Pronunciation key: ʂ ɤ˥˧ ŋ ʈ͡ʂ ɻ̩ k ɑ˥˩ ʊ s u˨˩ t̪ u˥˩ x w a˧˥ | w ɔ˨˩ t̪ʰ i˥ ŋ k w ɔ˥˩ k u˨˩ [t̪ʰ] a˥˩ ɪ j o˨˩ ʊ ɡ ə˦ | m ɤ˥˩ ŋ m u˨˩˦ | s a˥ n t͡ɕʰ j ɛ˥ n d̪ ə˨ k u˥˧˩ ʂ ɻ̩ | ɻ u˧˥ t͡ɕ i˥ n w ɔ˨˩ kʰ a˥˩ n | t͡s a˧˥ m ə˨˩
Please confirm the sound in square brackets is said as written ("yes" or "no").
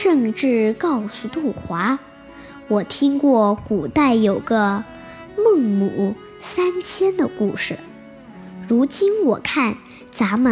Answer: no